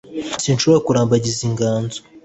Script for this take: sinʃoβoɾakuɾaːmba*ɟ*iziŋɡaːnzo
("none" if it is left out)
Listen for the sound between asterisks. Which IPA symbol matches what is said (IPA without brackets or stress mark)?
ɟ